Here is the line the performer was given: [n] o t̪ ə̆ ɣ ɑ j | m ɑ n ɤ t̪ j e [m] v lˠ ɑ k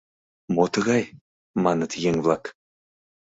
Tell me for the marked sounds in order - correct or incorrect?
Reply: incorrect: m, incorrect: ŋ

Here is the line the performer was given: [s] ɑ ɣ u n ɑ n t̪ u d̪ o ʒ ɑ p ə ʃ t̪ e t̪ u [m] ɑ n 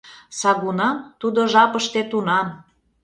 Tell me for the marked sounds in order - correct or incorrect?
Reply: correct, incorrect: n

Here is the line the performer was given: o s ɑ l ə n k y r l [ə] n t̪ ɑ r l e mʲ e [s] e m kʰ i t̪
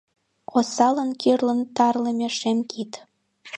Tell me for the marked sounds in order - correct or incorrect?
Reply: correct, incorrect: ʃ

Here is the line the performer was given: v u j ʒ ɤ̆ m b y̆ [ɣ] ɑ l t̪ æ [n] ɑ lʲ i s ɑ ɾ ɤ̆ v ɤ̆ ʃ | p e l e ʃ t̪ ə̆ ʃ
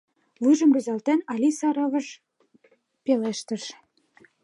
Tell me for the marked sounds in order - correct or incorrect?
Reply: incorrect: z, correct

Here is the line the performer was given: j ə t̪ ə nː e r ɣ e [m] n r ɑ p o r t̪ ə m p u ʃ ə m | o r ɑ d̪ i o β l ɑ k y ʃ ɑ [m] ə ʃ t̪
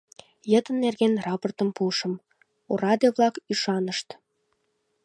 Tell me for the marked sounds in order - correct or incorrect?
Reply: incorrect: none, incorrect: n

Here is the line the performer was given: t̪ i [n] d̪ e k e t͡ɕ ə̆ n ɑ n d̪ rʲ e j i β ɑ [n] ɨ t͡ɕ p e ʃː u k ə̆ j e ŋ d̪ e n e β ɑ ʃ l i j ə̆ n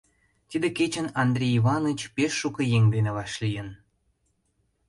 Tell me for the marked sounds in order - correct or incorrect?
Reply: incorrect: none, correct

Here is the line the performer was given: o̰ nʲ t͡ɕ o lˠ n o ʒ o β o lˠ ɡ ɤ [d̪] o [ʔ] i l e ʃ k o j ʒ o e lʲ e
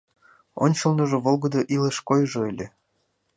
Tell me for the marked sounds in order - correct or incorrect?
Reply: correct, correct

